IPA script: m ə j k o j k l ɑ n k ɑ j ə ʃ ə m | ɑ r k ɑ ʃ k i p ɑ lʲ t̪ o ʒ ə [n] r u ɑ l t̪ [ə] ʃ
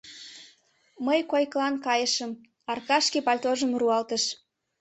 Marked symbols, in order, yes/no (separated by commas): no, yes